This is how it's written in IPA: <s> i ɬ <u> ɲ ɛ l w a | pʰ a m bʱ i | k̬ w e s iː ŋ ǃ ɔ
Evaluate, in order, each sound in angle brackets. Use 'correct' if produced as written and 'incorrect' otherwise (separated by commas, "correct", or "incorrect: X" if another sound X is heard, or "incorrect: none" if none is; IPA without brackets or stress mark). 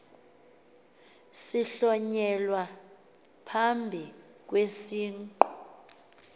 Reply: correct, incorrect: ɔ